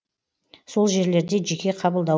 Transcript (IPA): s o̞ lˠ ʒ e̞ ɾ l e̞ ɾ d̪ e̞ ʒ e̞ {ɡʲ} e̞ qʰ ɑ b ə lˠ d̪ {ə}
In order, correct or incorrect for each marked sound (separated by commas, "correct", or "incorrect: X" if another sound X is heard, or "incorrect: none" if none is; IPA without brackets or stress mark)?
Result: incorrect: kʲ, incorrect: ɑ